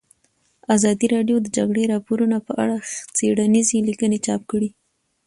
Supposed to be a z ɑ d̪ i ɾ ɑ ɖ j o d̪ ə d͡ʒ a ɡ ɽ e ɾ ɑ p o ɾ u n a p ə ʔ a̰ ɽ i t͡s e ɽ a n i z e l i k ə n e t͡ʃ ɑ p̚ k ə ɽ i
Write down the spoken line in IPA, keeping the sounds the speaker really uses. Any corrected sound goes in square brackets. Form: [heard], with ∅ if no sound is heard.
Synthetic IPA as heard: a z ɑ d̪ i ɾ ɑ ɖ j o d̪ ə d͡ʒ a ɡ ɽ e ɾ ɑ p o ɾ u n a p ə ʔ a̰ ɽ [a] t͡s e ɽ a n i z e l i k ə n e t͡ʃ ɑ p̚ k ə ɽ i